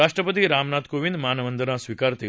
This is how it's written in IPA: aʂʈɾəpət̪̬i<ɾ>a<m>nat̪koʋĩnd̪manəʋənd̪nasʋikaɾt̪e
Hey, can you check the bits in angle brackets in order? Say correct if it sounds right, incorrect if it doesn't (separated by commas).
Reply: correct, correct